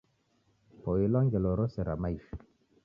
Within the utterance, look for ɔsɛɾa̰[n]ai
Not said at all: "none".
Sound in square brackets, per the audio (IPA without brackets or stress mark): m